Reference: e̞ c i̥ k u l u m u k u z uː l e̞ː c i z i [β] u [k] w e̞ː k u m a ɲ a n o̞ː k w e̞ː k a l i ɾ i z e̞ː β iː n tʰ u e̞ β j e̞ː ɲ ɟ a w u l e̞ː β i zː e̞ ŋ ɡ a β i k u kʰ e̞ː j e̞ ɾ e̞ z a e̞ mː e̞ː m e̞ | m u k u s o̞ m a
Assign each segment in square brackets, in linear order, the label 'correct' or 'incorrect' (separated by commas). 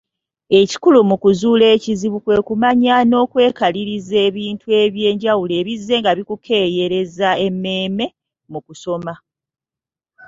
correct, correct